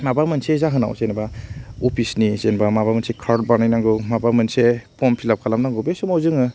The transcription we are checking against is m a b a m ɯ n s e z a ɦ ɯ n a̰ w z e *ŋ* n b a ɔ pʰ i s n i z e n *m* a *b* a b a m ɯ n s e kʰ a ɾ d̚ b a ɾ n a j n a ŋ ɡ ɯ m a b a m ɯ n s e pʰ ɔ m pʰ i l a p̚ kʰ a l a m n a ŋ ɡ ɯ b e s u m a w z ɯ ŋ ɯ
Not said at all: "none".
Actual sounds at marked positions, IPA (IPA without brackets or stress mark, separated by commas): none, b, m